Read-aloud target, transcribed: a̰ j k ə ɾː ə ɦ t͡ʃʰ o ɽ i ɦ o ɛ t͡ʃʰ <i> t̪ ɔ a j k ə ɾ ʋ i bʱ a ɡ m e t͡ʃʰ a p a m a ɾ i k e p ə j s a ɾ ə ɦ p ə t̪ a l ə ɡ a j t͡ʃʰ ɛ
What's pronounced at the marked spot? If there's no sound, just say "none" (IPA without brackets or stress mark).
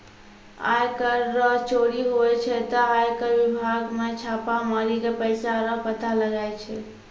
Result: ɛ